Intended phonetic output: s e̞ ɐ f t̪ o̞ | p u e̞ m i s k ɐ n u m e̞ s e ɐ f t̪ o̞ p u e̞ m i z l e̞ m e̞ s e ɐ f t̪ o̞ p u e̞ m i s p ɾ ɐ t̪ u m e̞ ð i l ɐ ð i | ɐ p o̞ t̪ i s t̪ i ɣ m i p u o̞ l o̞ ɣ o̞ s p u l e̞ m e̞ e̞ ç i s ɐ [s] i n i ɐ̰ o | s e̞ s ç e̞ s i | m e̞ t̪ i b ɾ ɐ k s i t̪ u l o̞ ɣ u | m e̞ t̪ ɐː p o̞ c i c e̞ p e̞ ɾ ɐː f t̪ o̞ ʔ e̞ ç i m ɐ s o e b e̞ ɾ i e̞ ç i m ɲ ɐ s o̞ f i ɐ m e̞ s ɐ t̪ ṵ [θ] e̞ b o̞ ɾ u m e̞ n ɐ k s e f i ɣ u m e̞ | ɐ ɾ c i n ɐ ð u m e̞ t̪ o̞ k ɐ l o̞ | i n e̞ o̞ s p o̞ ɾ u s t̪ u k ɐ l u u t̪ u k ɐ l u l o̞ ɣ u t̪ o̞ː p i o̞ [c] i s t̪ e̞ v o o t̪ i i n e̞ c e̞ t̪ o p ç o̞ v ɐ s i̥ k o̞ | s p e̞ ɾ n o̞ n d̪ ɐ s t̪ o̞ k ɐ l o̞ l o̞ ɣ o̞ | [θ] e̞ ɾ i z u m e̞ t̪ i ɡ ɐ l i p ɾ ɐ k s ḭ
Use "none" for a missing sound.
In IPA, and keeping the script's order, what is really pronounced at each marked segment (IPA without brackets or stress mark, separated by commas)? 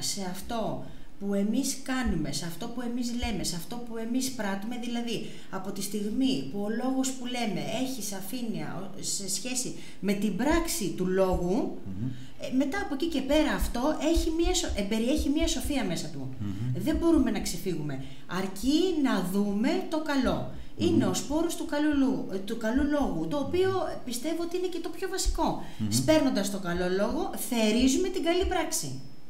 f, ð, p, θ